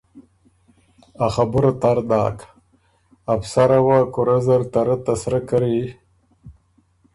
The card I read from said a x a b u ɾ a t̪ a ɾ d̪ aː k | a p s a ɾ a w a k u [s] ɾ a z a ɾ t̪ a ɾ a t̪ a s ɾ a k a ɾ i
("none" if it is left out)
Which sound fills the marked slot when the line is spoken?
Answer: none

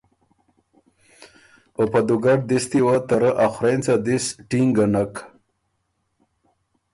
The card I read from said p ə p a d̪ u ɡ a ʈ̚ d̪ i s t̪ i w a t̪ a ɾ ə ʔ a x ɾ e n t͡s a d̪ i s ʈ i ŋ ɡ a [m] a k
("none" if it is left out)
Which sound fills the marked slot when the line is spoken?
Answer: n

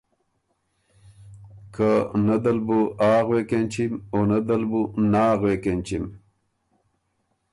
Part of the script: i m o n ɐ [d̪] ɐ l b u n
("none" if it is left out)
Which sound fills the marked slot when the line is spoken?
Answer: d̪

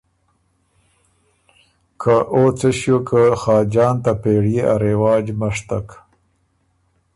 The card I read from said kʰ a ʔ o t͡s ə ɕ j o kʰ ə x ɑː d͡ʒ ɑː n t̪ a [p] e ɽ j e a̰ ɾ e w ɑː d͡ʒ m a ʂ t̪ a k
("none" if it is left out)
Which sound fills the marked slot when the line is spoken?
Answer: p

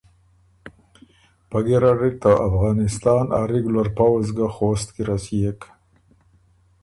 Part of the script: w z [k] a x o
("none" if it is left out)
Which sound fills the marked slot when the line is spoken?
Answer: ɡ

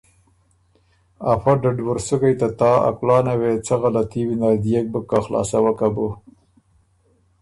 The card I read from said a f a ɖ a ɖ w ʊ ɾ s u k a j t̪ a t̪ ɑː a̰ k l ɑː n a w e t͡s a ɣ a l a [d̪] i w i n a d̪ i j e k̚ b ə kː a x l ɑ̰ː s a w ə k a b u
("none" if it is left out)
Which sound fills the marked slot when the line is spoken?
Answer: t̪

